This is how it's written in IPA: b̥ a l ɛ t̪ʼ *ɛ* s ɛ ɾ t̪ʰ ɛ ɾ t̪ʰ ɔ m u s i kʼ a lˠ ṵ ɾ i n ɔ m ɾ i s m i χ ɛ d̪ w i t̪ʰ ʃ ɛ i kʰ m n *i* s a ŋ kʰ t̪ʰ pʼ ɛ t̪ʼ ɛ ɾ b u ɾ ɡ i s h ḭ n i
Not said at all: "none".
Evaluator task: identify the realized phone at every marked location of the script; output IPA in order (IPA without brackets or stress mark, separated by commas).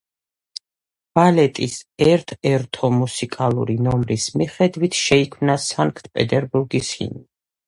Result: i, a